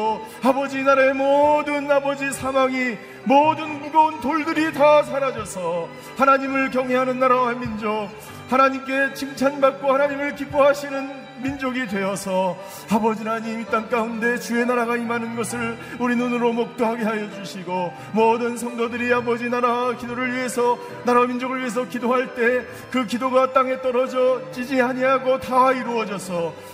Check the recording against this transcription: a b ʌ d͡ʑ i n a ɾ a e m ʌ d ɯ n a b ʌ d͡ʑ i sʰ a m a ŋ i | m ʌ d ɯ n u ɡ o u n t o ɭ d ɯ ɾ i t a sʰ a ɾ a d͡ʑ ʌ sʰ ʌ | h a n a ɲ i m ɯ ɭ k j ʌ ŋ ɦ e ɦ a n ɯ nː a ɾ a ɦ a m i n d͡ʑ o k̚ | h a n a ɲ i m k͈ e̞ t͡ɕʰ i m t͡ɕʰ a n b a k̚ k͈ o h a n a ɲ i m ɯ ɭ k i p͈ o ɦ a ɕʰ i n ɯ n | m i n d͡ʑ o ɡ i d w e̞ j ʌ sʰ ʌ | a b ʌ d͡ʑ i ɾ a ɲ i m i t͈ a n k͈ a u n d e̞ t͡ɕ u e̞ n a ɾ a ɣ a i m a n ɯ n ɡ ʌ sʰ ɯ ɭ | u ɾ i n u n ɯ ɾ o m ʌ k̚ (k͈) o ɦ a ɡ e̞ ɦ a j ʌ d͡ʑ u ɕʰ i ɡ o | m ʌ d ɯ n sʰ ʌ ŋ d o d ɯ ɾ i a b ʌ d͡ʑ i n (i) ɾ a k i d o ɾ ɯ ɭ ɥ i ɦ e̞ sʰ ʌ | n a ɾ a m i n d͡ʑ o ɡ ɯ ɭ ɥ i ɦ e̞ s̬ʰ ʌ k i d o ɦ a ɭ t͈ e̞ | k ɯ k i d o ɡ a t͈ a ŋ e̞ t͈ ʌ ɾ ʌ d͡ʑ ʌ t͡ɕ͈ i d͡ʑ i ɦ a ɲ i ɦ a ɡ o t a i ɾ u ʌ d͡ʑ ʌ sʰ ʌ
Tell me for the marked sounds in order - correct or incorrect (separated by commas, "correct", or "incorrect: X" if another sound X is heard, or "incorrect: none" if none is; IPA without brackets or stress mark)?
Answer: incorrect: t͈, incorrect: a